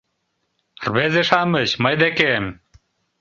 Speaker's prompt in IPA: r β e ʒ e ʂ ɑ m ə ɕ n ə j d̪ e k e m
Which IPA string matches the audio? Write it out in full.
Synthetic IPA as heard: r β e z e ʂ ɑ m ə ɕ m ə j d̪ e k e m